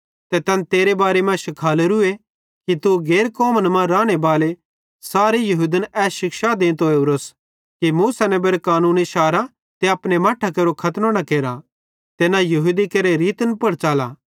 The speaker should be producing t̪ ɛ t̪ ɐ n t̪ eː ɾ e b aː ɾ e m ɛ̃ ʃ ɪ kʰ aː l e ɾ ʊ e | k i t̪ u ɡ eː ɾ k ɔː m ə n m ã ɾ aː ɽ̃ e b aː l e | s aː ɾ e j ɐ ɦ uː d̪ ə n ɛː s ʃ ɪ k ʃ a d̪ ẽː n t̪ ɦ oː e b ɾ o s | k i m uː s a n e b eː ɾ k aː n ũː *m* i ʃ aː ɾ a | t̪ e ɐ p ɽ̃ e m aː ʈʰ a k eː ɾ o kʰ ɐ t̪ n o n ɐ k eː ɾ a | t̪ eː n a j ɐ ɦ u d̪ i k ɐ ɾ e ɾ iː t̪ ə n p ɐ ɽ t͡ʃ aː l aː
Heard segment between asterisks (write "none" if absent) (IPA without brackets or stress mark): n